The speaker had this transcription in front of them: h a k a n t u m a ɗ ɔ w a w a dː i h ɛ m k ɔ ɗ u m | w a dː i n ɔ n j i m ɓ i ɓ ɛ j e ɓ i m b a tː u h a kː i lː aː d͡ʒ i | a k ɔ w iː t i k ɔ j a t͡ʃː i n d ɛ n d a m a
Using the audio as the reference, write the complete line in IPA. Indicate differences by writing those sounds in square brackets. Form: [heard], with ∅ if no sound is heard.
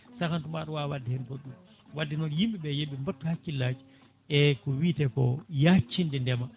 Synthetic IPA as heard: [s] a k a n t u m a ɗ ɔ w a w a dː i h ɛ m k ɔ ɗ u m | w a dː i n ɔ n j i m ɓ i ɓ ɛ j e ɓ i m b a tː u h a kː i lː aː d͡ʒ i | [ɛ] k ɔ w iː t [ɛ] k ɔ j a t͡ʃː i n d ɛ n d [ɛ] m a